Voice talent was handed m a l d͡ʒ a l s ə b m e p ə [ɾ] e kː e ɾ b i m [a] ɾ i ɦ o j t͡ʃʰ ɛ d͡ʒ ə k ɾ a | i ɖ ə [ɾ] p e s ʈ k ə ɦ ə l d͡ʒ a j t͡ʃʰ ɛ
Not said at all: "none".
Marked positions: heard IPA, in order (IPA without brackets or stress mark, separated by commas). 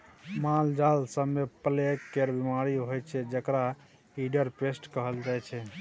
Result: l, a, ɾ